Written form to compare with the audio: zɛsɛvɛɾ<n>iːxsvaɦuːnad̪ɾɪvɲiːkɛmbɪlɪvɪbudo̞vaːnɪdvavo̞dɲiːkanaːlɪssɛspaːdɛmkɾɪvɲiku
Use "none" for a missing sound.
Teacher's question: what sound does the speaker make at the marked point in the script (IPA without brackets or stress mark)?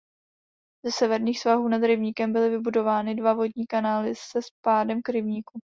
ɲ